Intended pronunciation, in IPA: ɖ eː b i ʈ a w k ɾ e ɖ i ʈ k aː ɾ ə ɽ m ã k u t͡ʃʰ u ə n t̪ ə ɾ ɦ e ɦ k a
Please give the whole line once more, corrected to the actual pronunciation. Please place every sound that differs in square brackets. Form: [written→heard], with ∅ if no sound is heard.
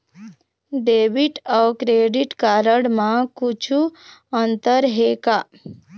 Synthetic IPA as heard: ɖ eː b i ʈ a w k ɾ e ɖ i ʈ k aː ɾ ə ɽ m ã k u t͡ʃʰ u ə n t̪ ə ɾ ɦ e [ɦ→∅] k a